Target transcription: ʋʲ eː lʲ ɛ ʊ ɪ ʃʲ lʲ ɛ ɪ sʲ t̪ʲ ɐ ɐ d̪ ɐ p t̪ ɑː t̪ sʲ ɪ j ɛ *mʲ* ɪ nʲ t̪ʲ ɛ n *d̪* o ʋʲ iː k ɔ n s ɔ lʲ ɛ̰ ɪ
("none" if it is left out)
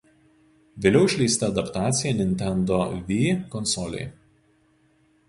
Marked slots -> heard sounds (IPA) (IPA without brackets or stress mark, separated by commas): nʲ, d̪